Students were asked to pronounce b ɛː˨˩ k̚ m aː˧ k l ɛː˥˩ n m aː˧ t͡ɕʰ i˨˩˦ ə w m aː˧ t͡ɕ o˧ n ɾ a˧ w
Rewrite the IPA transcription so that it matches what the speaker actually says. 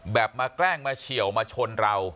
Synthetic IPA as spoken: b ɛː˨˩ p̚ m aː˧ k l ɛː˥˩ ŋ m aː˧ t͡ɕʰ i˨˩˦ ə w m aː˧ t͡ɕʰ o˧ n ɾ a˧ w

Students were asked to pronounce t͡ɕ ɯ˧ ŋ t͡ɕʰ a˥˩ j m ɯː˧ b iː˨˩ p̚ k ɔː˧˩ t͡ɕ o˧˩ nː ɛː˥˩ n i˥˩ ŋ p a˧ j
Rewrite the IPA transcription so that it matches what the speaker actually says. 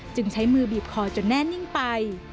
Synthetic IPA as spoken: t͡ɕ ɯ˧ ŋ t͡ɕʰ a˦˥ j m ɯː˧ b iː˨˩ p̚ kʰ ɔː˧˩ t͡ɕ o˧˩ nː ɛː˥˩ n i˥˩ ŋ p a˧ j

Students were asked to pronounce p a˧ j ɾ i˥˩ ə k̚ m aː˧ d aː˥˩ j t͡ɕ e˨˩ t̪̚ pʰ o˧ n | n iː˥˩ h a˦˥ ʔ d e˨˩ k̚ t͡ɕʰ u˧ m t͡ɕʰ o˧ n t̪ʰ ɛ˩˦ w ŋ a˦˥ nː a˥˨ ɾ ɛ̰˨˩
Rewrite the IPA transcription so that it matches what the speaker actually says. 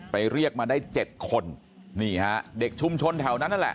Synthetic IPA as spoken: p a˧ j ɾ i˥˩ ə k̚ m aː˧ d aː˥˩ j t͡ɕ e˨˩ t̪̚ kʰ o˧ n | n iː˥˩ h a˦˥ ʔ d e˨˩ k̚ t͡ɕʰ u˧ m t͡ɕʰ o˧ n t̪ʰ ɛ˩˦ w n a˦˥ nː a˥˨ l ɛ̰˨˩

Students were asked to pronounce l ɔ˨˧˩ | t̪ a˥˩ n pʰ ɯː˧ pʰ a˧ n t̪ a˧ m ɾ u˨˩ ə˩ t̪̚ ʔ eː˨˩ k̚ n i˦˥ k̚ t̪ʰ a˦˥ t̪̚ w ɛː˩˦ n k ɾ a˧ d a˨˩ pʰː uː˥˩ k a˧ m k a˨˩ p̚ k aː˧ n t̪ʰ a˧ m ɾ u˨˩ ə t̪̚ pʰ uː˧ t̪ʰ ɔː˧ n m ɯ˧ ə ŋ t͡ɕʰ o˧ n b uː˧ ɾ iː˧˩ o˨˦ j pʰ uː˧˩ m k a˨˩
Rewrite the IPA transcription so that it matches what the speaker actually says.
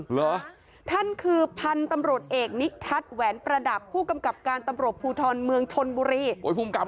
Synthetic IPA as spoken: l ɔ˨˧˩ | t̪ʰ a˥˩ n kʰ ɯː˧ pʰ a˧ n t̪ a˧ m ɾ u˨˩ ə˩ t̪̚ ʔ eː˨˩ k̚ n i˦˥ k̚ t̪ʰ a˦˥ t̪̚ w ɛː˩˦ n p ɾ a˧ d a˨˩ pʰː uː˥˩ k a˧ m k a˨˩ p̚ k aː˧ n t̪ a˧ m ɾ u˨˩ ə t̪̚ pʰ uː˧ t̪ʰ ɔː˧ n m ɯ˧ ə ŋ t͡ɕʰ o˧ n b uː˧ ɾ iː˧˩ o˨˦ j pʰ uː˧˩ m k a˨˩

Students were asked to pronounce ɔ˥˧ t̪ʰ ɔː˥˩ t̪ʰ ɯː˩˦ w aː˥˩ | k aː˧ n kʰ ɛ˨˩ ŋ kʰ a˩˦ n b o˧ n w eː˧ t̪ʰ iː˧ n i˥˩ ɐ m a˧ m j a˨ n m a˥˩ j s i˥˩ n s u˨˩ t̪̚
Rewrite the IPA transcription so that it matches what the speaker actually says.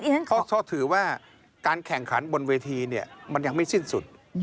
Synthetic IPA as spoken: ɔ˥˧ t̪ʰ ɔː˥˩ t̪ʰ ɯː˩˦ w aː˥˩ | k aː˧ n kʰ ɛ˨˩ ŋ kʰ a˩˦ n b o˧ n w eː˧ t̪ʰ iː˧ n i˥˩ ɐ m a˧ n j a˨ ŋ m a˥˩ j s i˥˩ n s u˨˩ t̪̚

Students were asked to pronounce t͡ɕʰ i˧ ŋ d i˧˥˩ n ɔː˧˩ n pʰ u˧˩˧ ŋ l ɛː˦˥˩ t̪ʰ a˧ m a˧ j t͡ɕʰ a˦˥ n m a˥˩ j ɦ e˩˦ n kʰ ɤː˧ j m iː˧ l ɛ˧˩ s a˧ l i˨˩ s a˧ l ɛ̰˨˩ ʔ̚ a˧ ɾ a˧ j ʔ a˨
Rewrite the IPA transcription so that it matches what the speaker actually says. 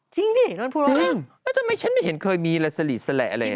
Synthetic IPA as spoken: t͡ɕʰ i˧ ŋ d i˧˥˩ n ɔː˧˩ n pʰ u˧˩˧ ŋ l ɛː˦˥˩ t̪ʰ a˧ m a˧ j t͡ɕʰ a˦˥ n m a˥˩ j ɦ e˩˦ n kʰ ɤː˧ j m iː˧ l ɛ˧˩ s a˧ l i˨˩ s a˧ l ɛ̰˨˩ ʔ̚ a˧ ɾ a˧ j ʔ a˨

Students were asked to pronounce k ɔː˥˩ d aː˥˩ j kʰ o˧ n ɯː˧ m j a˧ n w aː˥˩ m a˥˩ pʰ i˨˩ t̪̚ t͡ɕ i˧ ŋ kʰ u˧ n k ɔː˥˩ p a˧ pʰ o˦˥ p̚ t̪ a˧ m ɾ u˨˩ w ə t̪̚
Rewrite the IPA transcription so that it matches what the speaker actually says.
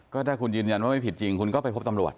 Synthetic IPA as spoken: k ɔː˥˩ d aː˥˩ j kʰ u˧ n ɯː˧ n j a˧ n w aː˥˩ m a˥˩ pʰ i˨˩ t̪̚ t͡ɕ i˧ ŋ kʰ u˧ n k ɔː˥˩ p a˧ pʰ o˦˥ p̚ t̪ a˧ m ɾ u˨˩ ə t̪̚

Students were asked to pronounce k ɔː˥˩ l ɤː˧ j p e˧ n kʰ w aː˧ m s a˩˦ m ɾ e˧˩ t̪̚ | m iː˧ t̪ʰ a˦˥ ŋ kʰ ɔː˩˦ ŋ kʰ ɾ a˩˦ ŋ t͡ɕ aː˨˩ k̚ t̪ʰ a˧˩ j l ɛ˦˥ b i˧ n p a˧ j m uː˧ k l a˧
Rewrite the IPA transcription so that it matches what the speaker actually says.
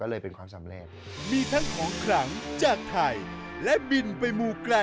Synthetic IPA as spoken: k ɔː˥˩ l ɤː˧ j p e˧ n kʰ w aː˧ m s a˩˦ m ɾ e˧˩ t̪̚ | m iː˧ t̪ʰ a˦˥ ŋ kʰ ɔː˩˦ ŋ kʰ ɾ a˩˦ ŋ t͡ɕ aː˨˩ k̚ t̪ʰ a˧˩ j l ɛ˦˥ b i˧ n p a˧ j m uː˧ k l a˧

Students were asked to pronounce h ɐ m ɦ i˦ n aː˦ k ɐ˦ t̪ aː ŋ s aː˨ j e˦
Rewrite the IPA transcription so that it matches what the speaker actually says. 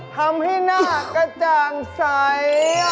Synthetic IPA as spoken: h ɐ m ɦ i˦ n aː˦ k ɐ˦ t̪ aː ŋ s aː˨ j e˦

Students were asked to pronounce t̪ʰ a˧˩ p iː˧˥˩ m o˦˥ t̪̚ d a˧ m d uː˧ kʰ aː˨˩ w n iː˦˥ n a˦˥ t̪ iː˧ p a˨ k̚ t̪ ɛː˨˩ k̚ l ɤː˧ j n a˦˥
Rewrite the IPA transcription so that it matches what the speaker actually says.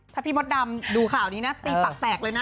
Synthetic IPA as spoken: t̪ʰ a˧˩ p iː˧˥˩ m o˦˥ t̪̚ d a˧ m d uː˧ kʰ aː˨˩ w n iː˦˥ n a˦˥ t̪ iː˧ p a˨ k̚ t̪ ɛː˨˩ k̚ l ɤː˧ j n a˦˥

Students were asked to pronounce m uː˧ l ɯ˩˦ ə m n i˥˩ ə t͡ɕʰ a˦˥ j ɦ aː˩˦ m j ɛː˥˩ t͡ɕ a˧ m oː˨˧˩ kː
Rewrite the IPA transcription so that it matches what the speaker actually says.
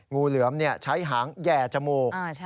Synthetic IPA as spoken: ŋ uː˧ l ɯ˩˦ ə m n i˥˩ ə t͡ɕʰ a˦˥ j ɦ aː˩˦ ŋ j ɛː˨˩ t͡ɕ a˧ m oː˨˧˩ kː

